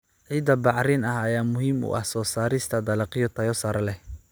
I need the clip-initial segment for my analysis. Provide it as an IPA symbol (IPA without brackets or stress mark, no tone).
ʕ